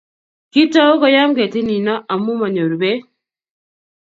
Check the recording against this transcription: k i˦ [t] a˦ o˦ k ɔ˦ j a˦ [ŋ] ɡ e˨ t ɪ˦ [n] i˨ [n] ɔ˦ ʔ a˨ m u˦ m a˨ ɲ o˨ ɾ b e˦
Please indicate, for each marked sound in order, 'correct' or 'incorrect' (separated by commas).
correct, incorrect, correct, correct